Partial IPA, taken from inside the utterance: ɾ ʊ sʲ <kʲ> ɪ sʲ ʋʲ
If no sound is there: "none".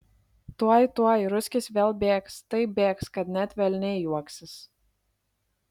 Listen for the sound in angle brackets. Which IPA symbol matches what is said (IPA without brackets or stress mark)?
kʲ